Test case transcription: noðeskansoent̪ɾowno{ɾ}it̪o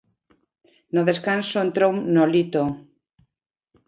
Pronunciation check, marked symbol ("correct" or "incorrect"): incorrect